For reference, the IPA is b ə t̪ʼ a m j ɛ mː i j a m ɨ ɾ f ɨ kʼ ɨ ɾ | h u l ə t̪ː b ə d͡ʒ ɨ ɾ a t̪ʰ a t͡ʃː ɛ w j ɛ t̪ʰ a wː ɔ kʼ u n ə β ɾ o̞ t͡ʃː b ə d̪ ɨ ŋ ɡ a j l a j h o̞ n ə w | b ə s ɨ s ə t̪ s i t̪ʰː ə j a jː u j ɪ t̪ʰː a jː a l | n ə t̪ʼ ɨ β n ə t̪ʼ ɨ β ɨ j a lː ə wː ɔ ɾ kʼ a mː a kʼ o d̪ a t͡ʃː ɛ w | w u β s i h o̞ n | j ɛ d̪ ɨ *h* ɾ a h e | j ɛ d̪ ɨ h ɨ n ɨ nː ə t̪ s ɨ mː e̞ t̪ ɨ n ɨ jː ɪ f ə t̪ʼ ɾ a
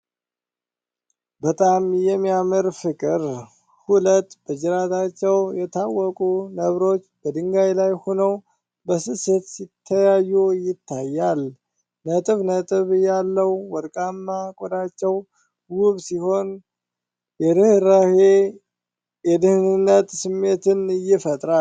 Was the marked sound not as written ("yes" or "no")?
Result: no